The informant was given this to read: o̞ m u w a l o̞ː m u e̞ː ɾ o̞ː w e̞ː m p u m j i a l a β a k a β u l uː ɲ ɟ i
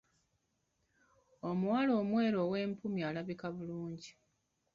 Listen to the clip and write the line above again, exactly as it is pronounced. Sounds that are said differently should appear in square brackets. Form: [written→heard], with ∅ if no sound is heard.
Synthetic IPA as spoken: o̞ m u w a l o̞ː m [u→w] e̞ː ɾ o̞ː w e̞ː m p u m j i a l a β [a→i] k a β u l uː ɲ ɟ i